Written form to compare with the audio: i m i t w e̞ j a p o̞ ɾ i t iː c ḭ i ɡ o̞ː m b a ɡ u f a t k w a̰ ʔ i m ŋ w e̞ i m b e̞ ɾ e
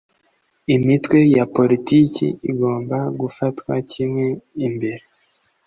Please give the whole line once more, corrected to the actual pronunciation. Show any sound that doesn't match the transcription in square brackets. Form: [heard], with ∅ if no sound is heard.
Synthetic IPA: i m i t w e̞ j a p o̞ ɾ i t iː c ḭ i ɡ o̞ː m b a ɡ u f a t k w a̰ [c] i m ŋ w e̞ i m b e̞ ɾ e